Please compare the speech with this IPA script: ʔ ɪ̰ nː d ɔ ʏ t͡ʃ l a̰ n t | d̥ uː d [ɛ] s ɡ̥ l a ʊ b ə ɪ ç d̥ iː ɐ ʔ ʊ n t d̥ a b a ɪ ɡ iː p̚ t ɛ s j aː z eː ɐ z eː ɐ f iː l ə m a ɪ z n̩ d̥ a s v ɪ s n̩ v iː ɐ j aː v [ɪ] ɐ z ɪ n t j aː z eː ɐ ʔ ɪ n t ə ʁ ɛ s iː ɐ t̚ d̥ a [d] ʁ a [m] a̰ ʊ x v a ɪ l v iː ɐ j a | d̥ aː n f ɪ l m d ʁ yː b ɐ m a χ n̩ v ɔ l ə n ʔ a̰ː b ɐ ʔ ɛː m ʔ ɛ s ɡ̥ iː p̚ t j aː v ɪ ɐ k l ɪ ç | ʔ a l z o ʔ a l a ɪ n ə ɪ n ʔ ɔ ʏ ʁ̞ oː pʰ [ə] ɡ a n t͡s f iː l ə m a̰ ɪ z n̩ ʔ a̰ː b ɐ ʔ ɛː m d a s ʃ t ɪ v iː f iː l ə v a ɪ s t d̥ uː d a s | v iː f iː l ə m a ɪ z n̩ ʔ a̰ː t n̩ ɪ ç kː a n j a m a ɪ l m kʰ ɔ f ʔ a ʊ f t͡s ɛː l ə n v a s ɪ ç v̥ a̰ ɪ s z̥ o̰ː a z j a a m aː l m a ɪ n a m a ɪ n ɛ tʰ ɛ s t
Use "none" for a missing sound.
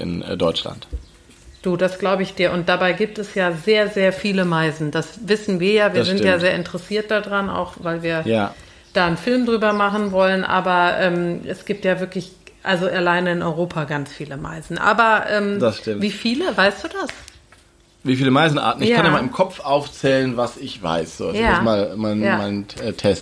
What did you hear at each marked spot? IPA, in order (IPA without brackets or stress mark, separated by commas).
a, i, d, n, a